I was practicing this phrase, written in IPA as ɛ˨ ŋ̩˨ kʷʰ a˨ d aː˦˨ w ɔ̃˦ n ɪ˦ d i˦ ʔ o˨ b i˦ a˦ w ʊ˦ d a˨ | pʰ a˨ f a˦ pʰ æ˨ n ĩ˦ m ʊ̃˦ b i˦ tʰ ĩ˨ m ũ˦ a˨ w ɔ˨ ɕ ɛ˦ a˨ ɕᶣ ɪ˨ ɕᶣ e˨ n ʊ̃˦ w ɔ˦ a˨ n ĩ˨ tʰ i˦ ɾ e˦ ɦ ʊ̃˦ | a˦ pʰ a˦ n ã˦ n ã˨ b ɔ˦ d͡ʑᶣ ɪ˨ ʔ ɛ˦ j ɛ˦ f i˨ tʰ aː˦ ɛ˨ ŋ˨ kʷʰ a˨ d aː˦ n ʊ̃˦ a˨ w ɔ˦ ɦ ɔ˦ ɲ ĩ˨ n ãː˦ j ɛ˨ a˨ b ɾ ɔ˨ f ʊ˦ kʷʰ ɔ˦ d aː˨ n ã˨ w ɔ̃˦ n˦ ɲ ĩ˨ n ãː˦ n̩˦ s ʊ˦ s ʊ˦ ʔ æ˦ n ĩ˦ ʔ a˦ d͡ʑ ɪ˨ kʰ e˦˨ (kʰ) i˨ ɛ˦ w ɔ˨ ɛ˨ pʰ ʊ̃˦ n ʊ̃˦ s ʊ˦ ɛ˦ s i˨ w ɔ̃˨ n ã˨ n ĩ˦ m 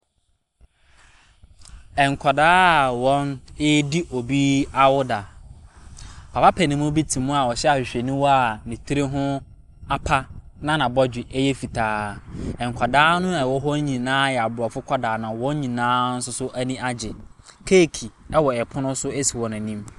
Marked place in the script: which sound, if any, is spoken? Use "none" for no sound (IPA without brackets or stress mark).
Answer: kʰ